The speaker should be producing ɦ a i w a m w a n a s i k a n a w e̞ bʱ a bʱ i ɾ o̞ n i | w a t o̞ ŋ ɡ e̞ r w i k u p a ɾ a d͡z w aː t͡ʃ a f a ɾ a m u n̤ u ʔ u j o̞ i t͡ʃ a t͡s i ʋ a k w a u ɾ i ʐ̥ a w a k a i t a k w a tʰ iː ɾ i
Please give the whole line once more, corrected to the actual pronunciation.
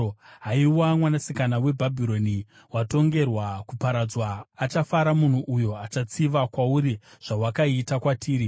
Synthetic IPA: ɦ a i w a m w a n a s i k a n a w e̞ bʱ a bʱ i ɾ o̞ n i | w a t o̞ ŋ ɡ e̞ r w a k u p a ɾ a d͡z w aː t͡ʃ a f a ɾ a m u n̤ u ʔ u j o̞ a t͡ʃ a t͡s i ʋ a k w a u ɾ i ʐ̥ a w a k a i t a k w a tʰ iː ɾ i

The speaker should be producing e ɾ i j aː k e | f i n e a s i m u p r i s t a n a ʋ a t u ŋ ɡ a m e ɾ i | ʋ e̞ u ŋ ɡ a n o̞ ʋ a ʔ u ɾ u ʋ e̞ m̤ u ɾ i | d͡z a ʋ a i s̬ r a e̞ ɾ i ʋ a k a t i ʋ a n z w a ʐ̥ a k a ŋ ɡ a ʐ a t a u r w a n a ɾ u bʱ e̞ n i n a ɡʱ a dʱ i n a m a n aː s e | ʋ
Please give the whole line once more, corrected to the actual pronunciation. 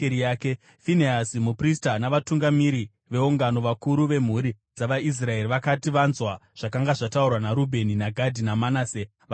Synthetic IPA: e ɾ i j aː k e | f i n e a s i m u p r i s t a n a ʋ a t u ŋ ɡ a m i ɾ i | ʋ e̞ u ŋ ɡ a n o̞ ʋ a k u ɾ u ʋ e̞ m̤ u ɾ i | d͡z a ʋ a i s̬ r a e̞ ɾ i ʋ a k a t i ʋ a n z w a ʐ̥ a k a ŋ ɡ a ʐ a t a u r w a n a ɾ u bʱ e̞ n i n a ɡʱ a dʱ i n a m a n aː s e | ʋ

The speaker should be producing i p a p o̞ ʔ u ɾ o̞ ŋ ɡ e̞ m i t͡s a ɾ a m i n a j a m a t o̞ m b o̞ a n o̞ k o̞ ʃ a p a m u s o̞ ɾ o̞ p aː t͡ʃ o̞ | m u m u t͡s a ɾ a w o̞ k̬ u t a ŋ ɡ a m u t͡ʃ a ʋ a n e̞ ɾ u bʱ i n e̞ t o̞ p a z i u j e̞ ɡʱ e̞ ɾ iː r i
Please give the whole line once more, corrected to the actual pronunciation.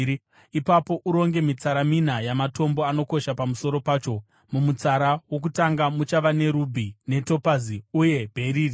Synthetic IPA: i p a p o̞ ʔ u ɾ o̞ ŋ ɡ e̞ m i t͡s a ɾ a m i n a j a m a t o̞ m b o̞ a n o̞ k o̞ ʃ a p a m u s o̞ ɾ o̞ p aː t͡ʃ o̞ | m u m u t͡s a ɾ a w o̞ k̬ u t a ŋ ɡ a m u t͡ʃ a ʋ a n e̞ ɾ u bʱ i n e̞ t o̞ p a z i u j e̞ bʱ e̞ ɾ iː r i

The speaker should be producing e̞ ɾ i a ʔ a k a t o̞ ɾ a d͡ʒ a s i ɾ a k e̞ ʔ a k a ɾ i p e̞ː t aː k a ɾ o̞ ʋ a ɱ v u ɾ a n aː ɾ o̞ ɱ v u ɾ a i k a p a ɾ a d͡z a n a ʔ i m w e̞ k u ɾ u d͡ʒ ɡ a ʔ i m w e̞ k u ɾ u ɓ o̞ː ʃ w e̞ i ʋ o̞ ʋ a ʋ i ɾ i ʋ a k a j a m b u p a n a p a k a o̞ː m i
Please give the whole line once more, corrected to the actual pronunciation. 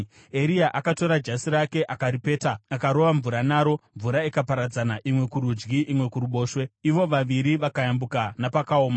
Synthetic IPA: e̞ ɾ i a ʔ a k a t o̞ ɾ a d͡ʒ a s i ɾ a k e̞ ʔ a k a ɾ i p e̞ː t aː k a ɾ o̞ ʋ a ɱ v u ɾ a n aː ɾ o̞ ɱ v u ɾ a i k a p a ɾ a d͡z a n a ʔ i m w e̞ k u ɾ u d͡ʒ ɡ i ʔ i m w e̞ k u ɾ u ɓ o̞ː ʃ w e̞ i ʋ o̞ ʋ a ʋ i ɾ i ʋ a k a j a m b u k a n a p a k a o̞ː m a

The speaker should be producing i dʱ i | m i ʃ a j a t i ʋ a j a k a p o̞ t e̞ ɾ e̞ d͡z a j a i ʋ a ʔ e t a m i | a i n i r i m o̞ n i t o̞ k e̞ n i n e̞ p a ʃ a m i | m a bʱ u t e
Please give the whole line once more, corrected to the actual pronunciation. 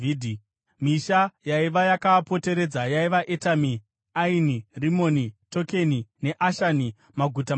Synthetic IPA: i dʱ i | m i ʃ a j a i ʋ a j a k a p o̞ t e̞ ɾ e̞ d͡z a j a i ʋ a ʔ e t a m i | a i n i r i m o̞ n i t o̞ k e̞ n i n e̞ ʔ a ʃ a n i | m a ɡʱ u t a

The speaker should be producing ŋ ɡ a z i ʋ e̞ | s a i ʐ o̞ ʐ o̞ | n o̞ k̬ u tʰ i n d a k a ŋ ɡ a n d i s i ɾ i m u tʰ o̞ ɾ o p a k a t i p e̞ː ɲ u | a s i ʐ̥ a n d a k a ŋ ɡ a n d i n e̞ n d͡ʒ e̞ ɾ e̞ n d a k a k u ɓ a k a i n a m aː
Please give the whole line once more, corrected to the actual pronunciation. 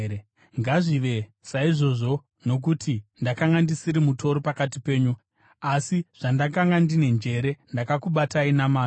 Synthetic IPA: ŋ ɡ a ʐ i ʋ e̞ | s a i ʐ o̞ ʐ o̞ | n o̞ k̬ u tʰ i n d a k a ŋ ɡ a n d i s i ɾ i m u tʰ o̞ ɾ o p a k a t i p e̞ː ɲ u | a s i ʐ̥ a n d a k a ŋ ɡ a n d i n e̞ n d͡ʒ e̞ ɾ e̞ n d a k a k u ɓ a t a i n a m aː

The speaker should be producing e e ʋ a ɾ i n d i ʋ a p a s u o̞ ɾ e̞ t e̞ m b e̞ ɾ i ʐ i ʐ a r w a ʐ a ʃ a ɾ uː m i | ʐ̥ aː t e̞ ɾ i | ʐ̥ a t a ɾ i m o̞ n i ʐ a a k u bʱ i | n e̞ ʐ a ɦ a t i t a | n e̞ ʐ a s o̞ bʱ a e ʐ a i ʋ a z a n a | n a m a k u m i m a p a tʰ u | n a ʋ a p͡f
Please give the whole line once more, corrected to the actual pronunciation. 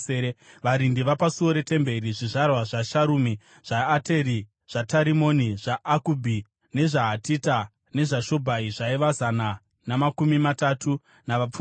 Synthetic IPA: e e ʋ a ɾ i n d i ʋ a p a s u o̞ ɾ e̞ t e̞ m b e̞ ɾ i ʐ i ʐ a r w a ʐ a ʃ a ɾ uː m i | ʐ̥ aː t e̞ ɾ i | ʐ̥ a t a ɾ i m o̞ n i ʐ a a k u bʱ i | n e̞ ʐ a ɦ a t i t a | n e̞ ʐ a ʃ o̞ bʱ a i ʐ a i ʋ a z a n a | n a m a k u m i m a t a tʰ u | n a ʋ a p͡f

